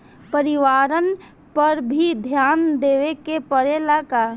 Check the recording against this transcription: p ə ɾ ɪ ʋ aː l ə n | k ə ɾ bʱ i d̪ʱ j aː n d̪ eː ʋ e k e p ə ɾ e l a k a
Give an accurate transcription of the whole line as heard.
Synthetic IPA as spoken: p ə ɾ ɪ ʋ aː ɾ ə n | p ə ɾ bʱ i d̪ʱ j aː n d̪ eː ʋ e k e p ə ɾ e l a k a